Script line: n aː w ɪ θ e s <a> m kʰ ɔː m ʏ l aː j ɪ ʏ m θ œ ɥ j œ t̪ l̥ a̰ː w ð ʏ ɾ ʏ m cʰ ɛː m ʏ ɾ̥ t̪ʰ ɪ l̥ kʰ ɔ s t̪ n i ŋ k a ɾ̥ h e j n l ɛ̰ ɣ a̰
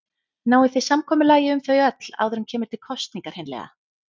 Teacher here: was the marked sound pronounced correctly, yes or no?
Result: yes